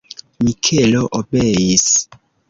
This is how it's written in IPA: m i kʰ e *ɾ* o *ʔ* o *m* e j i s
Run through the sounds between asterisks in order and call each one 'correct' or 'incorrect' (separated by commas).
incorrect, correct, incorrect